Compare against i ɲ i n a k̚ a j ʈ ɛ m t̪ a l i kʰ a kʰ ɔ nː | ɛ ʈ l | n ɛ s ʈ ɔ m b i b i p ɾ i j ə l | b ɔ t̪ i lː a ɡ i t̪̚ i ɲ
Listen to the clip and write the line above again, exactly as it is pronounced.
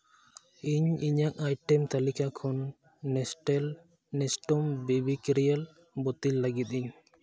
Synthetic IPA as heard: i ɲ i ɲ a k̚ a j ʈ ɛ m t̪ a l i k a kʰ ɔ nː | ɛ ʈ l | n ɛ s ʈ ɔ m b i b i k ɾ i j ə l | b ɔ t̪ i lː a ɡ i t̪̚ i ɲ

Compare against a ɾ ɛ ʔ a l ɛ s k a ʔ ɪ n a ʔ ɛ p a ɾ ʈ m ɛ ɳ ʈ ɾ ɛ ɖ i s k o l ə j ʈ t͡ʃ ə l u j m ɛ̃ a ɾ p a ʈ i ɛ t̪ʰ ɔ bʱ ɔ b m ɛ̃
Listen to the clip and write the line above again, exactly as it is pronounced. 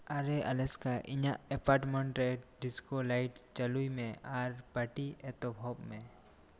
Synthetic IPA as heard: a ɾ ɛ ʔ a l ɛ s k a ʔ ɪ ɲ a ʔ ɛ p a ɾ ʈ m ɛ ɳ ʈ ɾ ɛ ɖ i s k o l a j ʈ t͡ʃ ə l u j m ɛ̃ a ɾ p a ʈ i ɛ t̪ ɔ bʱ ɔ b m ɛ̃

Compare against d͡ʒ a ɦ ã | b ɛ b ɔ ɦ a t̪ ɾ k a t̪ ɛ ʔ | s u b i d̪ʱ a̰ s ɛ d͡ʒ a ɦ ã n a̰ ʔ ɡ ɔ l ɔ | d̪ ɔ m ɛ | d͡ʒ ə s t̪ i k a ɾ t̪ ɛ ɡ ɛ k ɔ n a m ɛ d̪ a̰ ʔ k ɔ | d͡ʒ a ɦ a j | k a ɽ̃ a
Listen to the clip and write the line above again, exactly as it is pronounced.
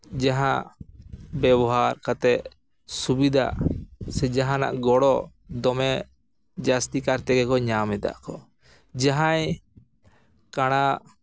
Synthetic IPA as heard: d͡ʒ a ɦ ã | b ɛ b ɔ ɦ a ɾ k a t̪ ɛ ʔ | s u b i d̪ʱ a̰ s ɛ d͡ʒ a ɦ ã n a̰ ʔ ɡ ɔ ɽ ɔ | d̪ ɔ m ɛ | d͡ʒ a s t̪ i k a ɾ t̪ ɛ ɡ ɛ k ɔ ɲ a m ɛ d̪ a̰ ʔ k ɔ | d͡ʒ a ɦ a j | k a ɽ̃ a

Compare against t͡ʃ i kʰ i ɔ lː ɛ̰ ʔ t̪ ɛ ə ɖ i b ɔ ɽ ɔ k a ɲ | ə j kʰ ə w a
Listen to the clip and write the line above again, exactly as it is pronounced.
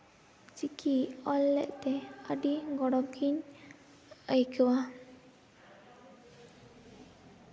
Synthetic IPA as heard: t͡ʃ i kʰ i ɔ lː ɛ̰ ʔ t̪ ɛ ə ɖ i ɡ ɔ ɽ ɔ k i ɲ | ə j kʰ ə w a

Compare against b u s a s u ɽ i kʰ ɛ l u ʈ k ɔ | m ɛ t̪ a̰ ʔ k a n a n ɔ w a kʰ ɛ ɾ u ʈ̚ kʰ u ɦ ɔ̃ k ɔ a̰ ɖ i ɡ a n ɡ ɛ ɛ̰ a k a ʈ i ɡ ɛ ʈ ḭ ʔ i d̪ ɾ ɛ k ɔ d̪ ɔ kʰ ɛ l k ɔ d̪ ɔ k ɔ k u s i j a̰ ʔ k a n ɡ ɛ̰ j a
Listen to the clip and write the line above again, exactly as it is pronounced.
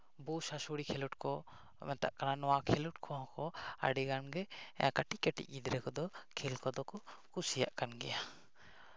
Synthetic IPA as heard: b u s a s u ɽ i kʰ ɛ l u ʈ k ɔ | m ɛ t̪ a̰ ʔ k a n a n ɔ w a kʰ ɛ l u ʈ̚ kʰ ɔ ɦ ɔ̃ k ɔ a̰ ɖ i ɡ a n ɡ ɛ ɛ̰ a k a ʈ i k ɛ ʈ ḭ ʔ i d̪ ɾ ɛ k ɔ d̪ ɔ kʰ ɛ l k ɔ d̪ ɔ k ɔ k u s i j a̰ ʔ k a n ɡ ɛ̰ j a

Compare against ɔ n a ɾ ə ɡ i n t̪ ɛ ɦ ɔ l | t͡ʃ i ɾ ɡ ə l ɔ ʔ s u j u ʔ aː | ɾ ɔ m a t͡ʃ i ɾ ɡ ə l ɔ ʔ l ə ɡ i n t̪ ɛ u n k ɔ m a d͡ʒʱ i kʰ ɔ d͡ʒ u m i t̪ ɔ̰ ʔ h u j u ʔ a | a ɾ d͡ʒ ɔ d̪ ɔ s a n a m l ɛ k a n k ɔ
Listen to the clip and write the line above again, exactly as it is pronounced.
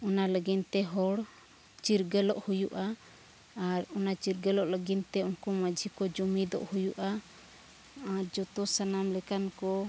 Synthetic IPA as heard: ɔ n a l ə ɡ i n t̪ ɛ ɦ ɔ ɽ | t͡ʃ i ɾ ɡ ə l ɔ ʔ h u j u ʔ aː | ɾ ɔ n a t͡ʃ i ɾ ɡ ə l ɔ ʔ l ə ɡ i n t̪ ɛ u n k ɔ m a d͡ʒʱ i k ɔ d͡ʒ u m i d̪ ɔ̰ ʔ h u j u ʔ a | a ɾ d͡ʒ ɔ t̪ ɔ s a n a m l ɛ k a n k ɔ

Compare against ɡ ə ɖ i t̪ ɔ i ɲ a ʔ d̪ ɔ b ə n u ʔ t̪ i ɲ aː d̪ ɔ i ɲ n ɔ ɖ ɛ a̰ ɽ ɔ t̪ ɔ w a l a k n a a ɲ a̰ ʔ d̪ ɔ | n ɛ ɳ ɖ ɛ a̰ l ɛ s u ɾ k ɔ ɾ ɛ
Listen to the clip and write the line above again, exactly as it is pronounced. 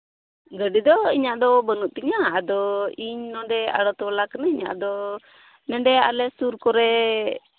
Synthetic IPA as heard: ɡ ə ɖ i d̪ ɔ i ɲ a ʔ d̪ ɔ b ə n u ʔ t̪ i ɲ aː d̪ ɔ i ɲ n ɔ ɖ ɛ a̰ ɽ ɔ t̪ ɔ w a l a k n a i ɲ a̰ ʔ d̪ ɔ | n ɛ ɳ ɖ ɛ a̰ l ɛ s u ɾ k ɔ ɾ ɛ

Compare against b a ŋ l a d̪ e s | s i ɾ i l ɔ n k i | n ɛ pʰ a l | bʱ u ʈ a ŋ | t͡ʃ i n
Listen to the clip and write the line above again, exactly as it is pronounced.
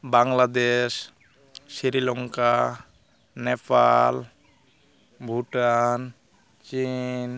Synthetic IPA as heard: b a ŋ l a d̪ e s | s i ɾ i l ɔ ŋ k a | n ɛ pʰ a l | bʱ u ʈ a n | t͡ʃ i n

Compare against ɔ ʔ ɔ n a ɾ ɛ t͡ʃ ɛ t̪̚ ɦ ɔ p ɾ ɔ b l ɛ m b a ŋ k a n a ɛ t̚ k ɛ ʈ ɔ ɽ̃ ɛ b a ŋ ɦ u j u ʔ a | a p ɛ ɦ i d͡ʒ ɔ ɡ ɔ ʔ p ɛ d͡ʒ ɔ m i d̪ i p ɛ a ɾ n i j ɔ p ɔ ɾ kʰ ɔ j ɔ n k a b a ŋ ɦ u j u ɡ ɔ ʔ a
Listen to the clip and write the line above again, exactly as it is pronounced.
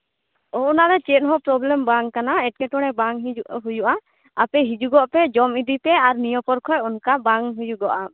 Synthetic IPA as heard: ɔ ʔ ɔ n a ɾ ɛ t͡ʃ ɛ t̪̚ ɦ ɔ p ɾ ɔ b l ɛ m b a ŋ k a n a ɛ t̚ k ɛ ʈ ɔ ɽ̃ ɛ b a ŋ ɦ u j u ʔ a | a p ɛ ɦ i d͡ʒ u ɡ ɔ ʔ p ɛ d͡ʒ ɔ m i d̪ i p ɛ a ɾ n i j ɔ p ɔ ɾ kʰ ɔ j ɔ n k a b a ŋ ɦ u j u ɡ ɔ ʔ a

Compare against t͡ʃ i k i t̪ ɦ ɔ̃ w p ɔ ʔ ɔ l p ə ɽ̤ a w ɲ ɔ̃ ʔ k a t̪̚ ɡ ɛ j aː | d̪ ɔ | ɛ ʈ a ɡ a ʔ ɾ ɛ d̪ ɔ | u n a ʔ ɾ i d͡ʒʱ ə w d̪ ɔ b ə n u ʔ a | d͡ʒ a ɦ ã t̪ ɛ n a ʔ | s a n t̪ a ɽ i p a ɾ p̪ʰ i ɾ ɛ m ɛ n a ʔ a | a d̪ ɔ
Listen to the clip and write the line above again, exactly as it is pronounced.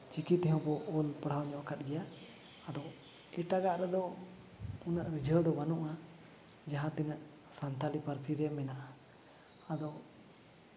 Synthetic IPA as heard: t͡ʃ i k i t̪ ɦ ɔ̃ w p ɔ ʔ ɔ l p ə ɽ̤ a w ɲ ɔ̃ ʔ k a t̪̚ ɡ ɛ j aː | d̪ ɔ | ɛ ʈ a ɡ a ʔ ɾ ɛ d̪ ɔ | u n a ʔ ɾ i d͡ʒʱ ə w d̪ ɔ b a n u ʔ a | d͡ʒ a ɦ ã t̪ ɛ n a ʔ | s a n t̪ a l i p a ɾ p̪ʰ i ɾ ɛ m ɛ n a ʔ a | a d̪ ɔ

